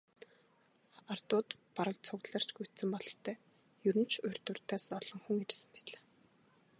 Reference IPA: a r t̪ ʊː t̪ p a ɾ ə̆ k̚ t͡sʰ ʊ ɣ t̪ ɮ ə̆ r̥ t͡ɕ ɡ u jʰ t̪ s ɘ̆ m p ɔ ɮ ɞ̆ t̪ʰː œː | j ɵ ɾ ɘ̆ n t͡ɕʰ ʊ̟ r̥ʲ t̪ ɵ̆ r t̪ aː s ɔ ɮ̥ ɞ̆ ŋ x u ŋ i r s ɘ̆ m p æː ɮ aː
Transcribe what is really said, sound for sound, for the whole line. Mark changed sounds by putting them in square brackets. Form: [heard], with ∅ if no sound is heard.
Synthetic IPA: a r t̪ ʊː t̪ p a ɾ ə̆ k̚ t͡sʰ ʊ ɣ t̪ ɮ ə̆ r̥ t͡ɕ ɡ u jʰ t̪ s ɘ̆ m p ɔ ɮ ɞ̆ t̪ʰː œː | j ɵ ɾ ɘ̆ n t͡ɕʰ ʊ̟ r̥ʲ t̪ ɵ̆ r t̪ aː s ɔ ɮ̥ ɞ̆ ŋ x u ŋ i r s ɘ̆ m p æː ɮ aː